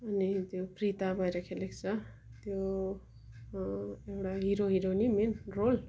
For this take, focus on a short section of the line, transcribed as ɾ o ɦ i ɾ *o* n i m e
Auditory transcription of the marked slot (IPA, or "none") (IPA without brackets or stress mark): o